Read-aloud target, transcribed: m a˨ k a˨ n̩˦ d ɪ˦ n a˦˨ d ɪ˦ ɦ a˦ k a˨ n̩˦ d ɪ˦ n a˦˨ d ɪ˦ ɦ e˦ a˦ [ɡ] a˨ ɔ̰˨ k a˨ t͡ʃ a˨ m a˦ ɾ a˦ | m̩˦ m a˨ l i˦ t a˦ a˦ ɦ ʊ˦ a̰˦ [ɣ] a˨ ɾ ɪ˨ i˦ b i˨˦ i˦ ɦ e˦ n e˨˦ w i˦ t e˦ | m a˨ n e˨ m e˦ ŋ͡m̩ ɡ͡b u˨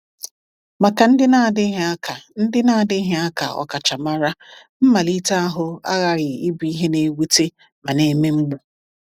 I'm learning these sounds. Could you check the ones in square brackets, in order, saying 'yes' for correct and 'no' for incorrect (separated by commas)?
no, yes